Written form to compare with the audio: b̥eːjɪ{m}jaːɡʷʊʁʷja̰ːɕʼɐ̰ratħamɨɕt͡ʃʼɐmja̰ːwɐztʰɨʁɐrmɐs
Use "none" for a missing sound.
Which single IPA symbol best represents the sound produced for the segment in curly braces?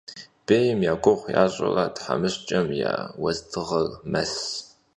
m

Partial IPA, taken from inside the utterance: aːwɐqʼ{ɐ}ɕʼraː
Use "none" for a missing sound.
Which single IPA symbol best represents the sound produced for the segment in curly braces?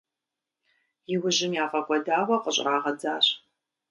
ə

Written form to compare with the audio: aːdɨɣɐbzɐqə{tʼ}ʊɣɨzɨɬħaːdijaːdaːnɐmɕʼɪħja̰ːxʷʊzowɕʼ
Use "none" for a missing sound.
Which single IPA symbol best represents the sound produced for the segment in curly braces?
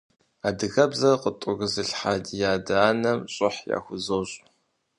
tʼ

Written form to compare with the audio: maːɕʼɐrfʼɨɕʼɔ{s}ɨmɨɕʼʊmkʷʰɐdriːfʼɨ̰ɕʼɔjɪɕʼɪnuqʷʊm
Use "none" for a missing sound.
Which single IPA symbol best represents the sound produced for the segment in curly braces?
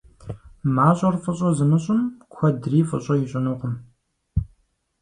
z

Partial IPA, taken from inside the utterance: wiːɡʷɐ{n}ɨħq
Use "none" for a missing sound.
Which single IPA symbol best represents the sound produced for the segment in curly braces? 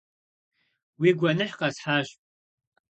n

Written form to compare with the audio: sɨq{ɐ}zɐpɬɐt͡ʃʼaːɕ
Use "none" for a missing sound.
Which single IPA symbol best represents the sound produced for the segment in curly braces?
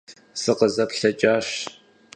ə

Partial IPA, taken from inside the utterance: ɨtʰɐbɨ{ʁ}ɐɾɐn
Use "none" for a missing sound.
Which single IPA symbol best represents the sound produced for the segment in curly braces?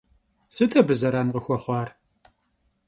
z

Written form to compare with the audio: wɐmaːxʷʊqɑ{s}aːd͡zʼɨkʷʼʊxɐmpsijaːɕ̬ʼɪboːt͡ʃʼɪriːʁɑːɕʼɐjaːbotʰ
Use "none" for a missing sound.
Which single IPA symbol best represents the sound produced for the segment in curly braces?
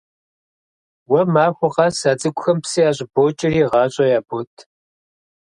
s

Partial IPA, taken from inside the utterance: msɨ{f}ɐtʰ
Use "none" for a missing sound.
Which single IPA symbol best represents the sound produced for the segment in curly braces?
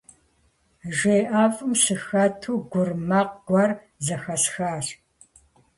x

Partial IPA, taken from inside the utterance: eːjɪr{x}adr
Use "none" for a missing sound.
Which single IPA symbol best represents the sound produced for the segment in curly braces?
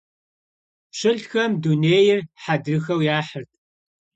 ħ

